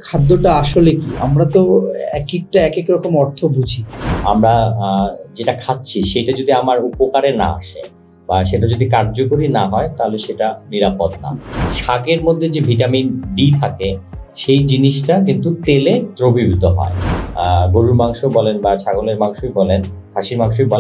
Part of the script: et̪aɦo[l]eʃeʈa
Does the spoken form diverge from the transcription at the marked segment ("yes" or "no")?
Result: no